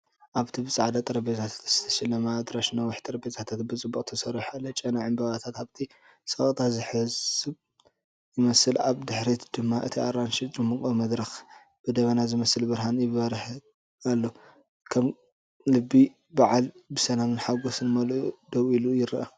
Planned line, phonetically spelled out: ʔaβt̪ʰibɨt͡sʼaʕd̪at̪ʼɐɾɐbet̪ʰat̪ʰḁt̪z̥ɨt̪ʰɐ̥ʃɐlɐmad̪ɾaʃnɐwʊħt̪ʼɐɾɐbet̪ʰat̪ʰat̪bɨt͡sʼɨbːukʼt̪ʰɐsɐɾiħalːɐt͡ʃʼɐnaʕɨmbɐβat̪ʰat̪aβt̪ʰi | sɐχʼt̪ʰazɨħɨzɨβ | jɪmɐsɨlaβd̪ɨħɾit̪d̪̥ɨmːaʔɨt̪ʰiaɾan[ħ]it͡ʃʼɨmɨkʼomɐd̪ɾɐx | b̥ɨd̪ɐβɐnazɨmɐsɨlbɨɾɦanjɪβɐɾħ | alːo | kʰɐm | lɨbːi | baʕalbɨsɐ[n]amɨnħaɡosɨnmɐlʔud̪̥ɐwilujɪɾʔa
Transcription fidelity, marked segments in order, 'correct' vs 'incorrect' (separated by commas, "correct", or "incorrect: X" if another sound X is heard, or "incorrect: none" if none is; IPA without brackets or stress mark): incorrect: ʃ, correct